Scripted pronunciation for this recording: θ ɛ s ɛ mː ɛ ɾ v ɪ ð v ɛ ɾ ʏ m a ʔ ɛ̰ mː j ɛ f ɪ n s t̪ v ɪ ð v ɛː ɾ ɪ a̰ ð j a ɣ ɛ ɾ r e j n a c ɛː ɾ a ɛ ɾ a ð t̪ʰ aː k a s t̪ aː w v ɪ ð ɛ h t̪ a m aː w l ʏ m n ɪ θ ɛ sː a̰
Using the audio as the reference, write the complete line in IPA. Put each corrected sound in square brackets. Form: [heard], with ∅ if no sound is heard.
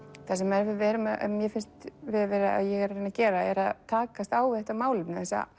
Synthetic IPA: θ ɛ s ɛ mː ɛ ɾ v ɪ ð v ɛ ɾ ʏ m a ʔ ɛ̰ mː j ɛ f ɪ n s t̪ v ɪ ð v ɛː ɾ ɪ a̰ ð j [ɛ] ɣ ɛ ɾ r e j n a c ɛː ɾ a ɛ ɾ a ð t̪ʰ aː k a s t̪ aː w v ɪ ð ɛ h t̪ a m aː w l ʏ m n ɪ θ ɛ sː a̰